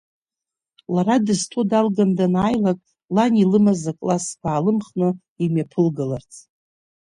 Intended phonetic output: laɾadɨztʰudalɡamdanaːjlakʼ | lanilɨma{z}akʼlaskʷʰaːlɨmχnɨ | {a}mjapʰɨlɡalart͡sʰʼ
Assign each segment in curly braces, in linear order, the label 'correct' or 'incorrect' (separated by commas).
correct, incorrect